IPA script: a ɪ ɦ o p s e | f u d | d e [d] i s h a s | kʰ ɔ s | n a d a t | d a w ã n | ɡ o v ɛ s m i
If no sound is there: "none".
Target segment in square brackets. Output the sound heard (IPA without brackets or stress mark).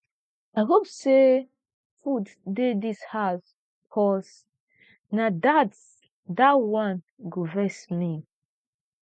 d